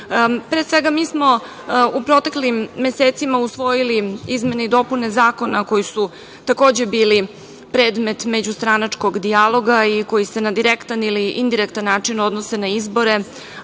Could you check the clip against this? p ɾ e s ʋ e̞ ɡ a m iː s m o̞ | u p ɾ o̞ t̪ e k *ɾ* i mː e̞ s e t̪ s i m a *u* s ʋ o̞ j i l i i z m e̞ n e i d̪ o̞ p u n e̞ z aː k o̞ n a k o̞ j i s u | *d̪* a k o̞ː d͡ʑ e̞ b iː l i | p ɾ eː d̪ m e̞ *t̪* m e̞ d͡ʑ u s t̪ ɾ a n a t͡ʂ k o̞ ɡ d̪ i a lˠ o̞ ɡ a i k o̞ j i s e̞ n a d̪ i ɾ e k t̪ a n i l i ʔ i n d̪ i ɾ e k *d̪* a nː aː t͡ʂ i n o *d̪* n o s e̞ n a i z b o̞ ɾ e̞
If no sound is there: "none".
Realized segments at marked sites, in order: l, u, t̪, t̪, t̪, d̪

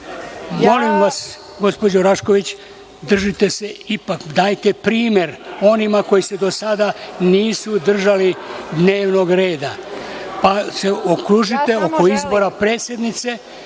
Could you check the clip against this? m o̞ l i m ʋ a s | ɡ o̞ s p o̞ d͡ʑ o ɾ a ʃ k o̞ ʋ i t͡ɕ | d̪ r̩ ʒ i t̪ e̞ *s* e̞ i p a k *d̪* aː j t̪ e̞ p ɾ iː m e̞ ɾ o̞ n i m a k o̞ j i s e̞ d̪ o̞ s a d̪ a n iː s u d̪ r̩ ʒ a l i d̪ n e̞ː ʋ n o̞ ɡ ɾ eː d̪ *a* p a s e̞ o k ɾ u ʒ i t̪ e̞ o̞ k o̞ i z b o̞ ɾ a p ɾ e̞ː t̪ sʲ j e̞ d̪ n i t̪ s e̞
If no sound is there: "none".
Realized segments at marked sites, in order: s, d̪, a

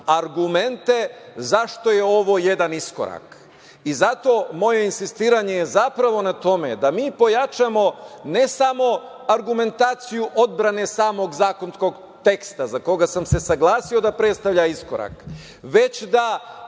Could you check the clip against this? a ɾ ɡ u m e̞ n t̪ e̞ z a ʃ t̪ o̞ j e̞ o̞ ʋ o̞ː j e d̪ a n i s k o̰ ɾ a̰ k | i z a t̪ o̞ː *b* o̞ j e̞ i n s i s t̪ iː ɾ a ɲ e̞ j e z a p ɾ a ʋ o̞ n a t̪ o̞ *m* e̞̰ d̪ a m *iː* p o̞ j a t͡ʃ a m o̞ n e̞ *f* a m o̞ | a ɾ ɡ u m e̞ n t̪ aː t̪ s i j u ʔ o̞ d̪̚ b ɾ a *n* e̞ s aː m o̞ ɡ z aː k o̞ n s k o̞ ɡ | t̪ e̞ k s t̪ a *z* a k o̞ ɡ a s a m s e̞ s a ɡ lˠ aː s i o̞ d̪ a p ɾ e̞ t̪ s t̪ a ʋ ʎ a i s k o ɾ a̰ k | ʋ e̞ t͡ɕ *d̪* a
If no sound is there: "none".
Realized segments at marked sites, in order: m, m, iː, s, n, z, d̪

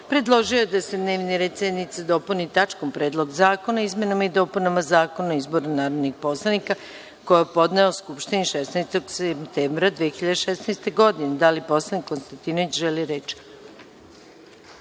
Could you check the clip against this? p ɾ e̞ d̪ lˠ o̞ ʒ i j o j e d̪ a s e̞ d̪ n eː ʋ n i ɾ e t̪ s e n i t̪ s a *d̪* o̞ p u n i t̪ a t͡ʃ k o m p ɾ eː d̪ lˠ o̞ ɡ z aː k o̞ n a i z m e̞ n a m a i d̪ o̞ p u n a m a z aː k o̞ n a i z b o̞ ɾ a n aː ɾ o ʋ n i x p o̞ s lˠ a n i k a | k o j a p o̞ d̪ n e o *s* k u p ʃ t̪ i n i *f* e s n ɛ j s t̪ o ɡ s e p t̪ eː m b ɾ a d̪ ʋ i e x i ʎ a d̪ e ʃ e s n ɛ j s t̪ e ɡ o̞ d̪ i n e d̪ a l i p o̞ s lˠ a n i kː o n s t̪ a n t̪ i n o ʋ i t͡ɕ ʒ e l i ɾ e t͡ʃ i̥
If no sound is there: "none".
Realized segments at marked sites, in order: d̪, s, ʃ

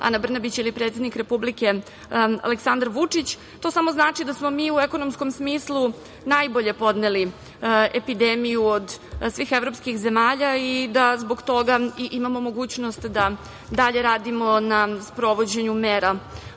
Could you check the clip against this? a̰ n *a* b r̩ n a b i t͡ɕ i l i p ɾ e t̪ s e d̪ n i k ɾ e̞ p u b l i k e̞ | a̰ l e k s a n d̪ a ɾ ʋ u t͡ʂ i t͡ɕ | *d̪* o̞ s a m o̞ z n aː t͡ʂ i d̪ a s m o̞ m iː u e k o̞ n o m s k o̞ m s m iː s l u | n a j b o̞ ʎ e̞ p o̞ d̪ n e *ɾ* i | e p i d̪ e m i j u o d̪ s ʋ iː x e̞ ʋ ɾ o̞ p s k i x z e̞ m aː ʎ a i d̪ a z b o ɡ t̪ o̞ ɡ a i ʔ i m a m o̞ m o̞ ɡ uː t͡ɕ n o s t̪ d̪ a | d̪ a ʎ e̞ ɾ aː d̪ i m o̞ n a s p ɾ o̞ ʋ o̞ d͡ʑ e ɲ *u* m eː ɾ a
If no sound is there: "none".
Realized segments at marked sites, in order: a, t̪, l, u

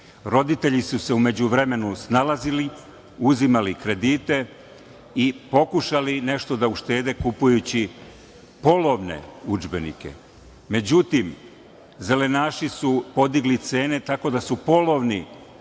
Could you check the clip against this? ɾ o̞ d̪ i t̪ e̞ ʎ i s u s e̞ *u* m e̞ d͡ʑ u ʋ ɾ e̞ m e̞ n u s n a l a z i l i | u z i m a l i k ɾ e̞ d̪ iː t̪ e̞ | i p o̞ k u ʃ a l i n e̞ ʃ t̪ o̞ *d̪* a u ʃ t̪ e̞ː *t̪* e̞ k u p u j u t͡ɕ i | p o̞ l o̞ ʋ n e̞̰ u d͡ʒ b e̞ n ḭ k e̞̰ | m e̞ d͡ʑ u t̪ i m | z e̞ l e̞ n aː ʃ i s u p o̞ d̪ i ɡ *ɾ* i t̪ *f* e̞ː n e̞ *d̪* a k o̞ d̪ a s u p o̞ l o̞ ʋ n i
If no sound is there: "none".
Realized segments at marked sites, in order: u, d̪, d̪, l, s, t̪

